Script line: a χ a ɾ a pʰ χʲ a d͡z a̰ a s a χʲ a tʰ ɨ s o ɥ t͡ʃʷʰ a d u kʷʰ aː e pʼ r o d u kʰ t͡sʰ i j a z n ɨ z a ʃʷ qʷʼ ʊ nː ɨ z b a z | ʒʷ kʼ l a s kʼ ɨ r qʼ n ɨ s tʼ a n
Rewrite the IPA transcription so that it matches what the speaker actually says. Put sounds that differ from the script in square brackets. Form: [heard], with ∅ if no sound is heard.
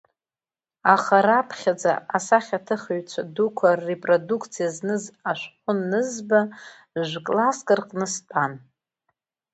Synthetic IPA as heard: a χ a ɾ a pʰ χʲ a d͡z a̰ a s a χʲ a tʰ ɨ [χ] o ɥ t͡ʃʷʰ a d u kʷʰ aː e pʼ r o d u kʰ t͡sʰ i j a z n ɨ z a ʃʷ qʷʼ ʊ nː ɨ z b a [∅] | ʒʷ kʼ l a s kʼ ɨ r qʼ n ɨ s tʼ a n